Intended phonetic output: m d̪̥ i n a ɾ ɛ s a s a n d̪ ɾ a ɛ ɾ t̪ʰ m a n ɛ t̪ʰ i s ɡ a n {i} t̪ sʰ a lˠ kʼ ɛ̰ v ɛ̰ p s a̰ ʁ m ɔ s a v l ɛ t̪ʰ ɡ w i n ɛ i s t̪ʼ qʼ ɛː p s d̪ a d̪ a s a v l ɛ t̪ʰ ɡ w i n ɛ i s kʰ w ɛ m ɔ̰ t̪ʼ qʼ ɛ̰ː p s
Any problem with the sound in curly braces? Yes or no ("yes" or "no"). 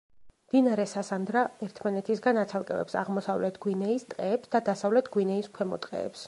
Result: yes